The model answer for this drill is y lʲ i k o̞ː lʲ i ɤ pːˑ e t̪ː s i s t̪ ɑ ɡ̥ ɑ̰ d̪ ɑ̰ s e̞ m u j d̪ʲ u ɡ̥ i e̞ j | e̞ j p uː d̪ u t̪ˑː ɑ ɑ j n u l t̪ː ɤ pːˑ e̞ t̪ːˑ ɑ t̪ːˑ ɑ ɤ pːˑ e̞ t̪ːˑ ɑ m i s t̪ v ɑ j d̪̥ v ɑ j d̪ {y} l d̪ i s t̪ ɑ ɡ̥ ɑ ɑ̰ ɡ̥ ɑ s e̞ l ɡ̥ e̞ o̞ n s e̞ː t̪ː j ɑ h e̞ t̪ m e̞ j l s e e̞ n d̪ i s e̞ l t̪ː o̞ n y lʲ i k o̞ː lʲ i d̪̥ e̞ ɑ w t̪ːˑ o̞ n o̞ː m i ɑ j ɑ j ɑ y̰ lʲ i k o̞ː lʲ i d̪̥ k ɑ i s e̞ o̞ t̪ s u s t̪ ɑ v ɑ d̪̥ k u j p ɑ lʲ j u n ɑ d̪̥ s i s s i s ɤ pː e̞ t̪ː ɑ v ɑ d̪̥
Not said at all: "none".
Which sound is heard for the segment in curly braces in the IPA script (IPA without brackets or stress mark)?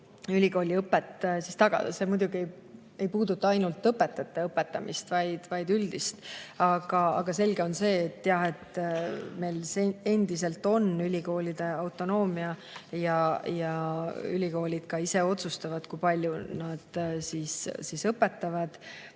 y